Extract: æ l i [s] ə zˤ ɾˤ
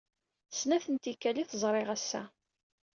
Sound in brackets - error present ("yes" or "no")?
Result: yes